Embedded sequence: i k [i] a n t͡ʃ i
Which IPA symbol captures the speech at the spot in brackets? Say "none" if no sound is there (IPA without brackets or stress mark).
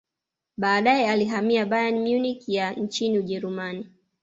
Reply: j